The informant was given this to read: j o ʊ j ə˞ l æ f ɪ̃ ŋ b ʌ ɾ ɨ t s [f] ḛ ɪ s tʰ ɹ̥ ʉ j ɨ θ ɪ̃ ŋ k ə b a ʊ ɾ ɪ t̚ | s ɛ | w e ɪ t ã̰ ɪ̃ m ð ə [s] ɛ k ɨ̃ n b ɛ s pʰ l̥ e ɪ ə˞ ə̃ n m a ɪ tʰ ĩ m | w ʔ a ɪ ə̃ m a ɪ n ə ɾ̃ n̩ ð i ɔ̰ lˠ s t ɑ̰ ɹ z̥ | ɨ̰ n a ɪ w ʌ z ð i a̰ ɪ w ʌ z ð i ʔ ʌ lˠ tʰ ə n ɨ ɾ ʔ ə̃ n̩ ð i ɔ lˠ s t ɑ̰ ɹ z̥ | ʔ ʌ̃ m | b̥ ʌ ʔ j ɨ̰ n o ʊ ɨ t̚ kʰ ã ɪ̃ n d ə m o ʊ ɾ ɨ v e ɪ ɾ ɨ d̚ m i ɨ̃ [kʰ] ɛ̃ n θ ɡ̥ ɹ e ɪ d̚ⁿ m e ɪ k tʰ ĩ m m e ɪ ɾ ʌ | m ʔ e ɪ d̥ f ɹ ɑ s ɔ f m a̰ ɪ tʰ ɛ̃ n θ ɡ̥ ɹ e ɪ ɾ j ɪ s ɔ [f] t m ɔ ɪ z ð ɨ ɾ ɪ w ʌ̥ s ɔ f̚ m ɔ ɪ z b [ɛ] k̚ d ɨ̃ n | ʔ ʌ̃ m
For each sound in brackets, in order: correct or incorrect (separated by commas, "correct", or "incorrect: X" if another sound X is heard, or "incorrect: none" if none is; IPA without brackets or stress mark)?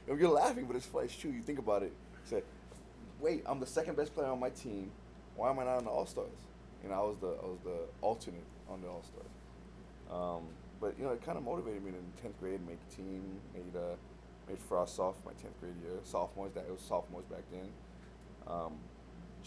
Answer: correct, correct, incorrect: tʰ, correct, incorrect: æ